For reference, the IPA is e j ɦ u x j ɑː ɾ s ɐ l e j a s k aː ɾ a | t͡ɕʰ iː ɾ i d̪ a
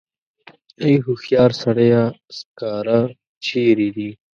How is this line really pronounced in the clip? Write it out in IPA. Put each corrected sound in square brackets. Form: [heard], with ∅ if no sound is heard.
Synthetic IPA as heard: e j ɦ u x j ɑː ɾ s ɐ [ɽ] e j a s k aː ɾ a | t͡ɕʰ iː ɾ i d̪ [i]